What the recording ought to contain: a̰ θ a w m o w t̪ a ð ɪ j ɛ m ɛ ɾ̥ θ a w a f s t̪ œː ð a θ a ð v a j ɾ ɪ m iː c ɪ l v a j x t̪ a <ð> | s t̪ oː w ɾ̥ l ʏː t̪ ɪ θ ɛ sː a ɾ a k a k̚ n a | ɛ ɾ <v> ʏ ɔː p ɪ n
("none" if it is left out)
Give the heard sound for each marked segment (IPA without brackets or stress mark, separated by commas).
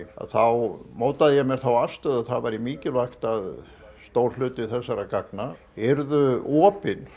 ð, ð